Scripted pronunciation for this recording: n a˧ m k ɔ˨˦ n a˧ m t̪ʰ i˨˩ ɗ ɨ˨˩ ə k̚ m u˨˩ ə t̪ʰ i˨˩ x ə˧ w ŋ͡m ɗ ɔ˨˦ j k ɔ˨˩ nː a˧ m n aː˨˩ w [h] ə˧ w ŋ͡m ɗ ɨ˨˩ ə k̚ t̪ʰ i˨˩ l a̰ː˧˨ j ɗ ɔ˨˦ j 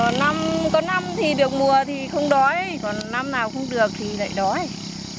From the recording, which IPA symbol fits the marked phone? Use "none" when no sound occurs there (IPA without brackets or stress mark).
x